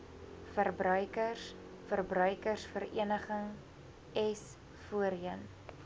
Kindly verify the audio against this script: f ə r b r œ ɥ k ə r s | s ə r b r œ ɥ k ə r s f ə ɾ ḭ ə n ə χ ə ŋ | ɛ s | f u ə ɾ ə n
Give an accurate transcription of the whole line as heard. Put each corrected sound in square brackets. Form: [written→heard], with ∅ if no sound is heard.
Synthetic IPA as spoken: f ə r b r œ ɥ k ə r s | [s→f] ə r b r œ ɥ k ə r s f ə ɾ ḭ ə n ə χ ə ŋ | ɛ s | f u ə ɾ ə n